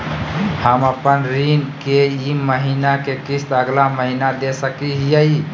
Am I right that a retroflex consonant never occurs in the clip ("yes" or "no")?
yes